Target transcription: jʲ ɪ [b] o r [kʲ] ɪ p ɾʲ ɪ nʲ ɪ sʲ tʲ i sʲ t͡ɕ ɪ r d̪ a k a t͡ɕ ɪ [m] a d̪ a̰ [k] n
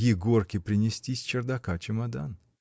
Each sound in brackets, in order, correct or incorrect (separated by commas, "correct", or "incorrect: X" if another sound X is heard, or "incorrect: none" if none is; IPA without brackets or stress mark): incorrect: ɡ, correct, correct, incorrect: none